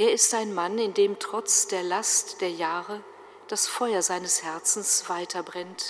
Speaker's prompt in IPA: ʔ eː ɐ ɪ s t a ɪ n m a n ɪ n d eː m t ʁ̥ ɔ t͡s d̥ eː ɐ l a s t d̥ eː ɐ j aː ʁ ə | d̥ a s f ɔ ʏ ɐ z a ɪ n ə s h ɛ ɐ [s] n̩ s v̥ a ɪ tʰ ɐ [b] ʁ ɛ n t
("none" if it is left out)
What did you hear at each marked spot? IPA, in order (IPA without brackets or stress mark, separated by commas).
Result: t͡s, b